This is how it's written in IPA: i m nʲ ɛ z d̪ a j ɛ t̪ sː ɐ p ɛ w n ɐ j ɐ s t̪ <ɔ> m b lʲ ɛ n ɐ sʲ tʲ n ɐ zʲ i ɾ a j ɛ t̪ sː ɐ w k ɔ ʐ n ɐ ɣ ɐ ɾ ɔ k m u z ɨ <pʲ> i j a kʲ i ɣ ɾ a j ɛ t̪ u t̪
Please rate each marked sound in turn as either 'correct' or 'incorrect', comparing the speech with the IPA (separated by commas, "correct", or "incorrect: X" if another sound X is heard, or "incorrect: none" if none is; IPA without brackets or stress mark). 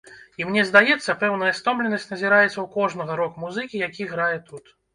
correct, incorrect: kʲ